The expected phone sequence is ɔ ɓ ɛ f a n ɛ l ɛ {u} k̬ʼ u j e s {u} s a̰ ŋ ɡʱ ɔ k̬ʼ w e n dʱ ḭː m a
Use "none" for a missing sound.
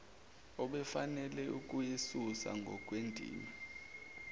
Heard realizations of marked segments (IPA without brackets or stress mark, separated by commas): u, u